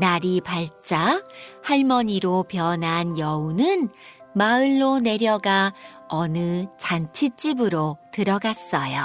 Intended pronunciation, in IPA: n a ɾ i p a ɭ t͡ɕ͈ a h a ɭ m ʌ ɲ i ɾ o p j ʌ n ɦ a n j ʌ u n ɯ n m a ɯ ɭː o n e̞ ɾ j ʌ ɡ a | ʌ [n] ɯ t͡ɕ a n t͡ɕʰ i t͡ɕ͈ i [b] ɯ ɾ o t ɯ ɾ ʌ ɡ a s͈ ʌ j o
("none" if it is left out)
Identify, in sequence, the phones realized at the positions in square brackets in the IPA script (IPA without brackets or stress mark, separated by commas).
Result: n, b